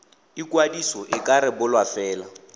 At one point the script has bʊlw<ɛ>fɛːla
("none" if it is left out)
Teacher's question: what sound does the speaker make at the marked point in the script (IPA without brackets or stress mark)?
a